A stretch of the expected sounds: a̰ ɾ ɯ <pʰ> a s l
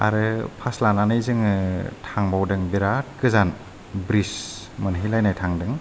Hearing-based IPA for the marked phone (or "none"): pʰ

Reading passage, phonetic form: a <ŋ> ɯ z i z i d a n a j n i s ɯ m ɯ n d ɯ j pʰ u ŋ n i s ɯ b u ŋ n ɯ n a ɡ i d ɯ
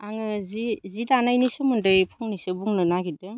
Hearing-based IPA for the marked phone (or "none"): ŋ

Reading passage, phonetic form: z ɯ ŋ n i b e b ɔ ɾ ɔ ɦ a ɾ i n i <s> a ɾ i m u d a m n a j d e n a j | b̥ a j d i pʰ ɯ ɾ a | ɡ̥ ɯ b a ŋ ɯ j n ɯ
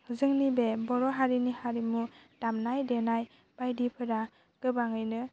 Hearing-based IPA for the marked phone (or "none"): h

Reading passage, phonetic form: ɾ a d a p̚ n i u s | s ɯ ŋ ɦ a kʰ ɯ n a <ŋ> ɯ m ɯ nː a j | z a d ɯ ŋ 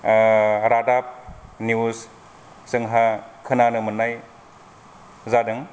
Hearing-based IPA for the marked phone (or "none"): n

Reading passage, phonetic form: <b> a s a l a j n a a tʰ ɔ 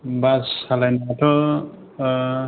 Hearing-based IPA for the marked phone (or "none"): b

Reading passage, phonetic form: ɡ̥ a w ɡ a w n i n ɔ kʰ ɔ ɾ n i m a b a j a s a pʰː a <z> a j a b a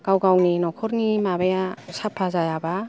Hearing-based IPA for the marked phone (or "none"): z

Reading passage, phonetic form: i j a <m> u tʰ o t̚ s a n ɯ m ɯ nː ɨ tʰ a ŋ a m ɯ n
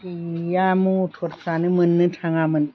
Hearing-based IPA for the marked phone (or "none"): m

